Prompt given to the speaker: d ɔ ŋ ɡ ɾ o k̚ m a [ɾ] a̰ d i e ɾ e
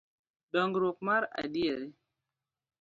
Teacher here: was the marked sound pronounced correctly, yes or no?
yes